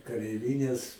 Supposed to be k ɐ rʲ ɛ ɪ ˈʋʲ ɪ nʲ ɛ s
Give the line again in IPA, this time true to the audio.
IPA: k ɐ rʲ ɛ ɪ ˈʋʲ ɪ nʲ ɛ s